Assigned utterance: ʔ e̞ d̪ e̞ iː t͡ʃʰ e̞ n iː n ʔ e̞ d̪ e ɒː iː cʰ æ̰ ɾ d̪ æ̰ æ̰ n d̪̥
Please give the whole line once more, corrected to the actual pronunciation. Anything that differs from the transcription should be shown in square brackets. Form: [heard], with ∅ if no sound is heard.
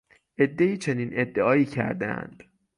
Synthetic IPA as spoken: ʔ e̞ [d̪ː] e̞ iː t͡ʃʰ e̞ n iː n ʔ e̞ [d̪ː] e ɒː iː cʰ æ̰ ɾ d̪ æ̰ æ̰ n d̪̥